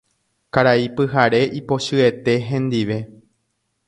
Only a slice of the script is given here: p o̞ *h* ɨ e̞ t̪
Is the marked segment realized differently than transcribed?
yes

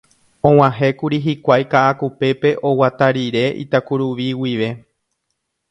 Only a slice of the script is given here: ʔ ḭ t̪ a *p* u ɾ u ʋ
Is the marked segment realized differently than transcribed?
yes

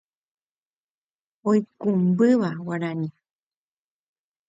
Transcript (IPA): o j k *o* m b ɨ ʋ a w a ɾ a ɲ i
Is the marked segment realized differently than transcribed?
yes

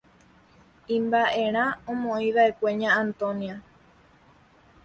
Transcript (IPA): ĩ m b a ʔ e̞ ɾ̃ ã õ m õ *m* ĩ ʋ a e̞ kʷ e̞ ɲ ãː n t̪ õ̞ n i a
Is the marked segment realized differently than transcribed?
yes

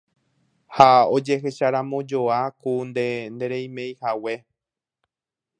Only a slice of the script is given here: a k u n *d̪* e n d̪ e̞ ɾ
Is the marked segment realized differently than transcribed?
no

